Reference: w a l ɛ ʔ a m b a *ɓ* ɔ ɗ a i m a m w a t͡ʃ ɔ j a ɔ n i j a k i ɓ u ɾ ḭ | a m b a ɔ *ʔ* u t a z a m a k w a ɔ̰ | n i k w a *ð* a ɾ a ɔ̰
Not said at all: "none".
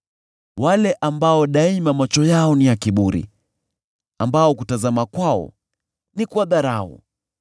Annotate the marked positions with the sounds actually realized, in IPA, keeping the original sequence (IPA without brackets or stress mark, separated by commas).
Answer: none, k, ð